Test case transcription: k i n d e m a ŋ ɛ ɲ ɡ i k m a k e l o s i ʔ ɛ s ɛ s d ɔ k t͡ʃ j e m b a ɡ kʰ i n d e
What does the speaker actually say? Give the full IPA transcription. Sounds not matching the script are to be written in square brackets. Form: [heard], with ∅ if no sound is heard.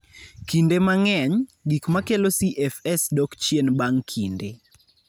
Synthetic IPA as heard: k i n d e m a ŋ ɛ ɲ ɡ i k m a k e l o s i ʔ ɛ [f] ɛ s d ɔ k t͡ʃ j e [n] b a [ŋ] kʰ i n d e